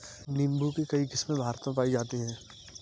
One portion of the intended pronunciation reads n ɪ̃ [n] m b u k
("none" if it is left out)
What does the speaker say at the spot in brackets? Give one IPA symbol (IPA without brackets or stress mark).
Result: none